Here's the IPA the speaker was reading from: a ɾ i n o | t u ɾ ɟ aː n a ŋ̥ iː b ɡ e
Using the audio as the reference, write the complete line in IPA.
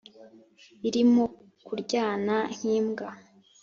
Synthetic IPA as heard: i ɾ i m o | k u ɾ ɟ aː n a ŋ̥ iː m ɡ a